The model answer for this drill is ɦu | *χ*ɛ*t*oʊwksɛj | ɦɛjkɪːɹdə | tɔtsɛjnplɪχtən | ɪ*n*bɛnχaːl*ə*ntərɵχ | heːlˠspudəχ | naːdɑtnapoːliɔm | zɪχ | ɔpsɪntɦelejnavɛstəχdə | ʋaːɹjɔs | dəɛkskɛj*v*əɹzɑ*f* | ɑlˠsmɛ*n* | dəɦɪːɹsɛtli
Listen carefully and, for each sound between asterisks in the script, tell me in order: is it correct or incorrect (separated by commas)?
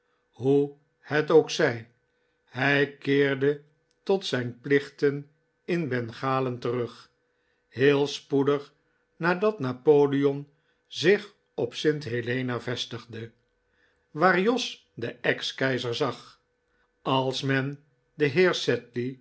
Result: incorrect, correct, correct, correct, incorrect, incorrect, correct